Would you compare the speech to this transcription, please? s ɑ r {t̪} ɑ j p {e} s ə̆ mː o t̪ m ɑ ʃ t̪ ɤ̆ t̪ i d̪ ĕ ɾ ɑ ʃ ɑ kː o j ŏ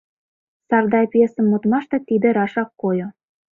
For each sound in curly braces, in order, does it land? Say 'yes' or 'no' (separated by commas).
no, yes